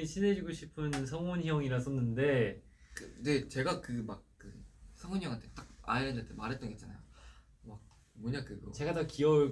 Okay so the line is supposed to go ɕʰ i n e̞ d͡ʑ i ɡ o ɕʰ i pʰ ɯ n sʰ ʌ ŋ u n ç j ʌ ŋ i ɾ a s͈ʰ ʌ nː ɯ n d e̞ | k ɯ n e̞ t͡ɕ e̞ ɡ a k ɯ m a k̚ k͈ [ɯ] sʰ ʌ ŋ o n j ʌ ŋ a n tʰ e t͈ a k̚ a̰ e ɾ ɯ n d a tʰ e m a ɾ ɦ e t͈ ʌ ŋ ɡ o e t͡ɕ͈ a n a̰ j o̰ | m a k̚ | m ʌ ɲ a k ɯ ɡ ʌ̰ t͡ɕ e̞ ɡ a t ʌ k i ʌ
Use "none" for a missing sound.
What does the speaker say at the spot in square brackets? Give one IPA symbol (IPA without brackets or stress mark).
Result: ɯ